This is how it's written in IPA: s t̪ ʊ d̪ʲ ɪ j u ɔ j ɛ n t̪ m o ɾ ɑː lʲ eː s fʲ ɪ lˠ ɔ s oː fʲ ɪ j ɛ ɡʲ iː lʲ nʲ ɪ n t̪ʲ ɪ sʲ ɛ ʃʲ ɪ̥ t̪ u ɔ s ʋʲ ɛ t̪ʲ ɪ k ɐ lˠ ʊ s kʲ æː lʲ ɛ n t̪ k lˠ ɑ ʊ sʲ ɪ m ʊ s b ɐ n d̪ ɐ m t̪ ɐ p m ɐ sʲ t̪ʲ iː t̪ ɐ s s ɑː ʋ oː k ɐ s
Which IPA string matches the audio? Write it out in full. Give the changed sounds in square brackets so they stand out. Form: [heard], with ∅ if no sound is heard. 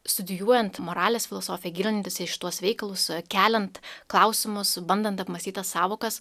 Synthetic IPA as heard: s t̪ ʊ d̪ʲ ɪ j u ɔ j ɛ n t̪ m o ɾ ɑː lʲ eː s fʲ ɪ lˠ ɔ s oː fʲ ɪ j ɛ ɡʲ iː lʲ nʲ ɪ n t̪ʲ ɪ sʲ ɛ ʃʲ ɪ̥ t̪ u ɔ s ʋʲ ɛ [∅] ɪ k ɐ lˠ ʊ s kʲ æː lʲ ɛ n t̪ k lˠ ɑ ʊ sʲ ɪ m ʊ s b ɐ n d̪ ɐ [n] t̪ ɐ p m ɐ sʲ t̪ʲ iː t̪ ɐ s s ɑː ʋ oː k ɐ s